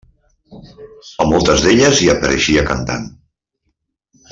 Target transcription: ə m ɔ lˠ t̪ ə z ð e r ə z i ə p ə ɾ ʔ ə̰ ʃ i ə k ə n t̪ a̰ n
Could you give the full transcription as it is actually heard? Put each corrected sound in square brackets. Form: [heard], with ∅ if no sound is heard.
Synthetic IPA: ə m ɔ lˠ t̪ ə z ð e [ʎ] ə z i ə p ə ɾ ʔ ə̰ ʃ i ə k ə n t̪ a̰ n